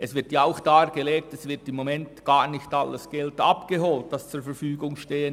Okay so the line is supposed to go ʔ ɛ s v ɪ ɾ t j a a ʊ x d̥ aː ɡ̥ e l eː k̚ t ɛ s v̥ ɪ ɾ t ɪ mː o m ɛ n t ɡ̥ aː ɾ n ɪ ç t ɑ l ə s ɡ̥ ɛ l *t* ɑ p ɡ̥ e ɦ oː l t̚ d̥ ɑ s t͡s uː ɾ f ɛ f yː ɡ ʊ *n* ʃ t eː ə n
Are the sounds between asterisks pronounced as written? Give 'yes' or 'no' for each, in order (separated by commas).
yes, no